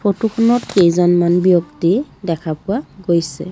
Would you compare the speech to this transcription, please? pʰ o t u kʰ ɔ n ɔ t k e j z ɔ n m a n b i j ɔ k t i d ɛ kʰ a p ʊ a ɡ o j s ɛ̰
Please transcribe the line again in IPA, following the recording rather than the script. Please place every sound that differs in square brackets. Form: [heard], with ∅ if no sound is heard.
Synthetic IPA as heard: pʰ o t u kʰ ɔ n ɔ t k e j z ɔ n m a n b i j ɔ k t i d ɛ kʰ a p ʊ a ɡ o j s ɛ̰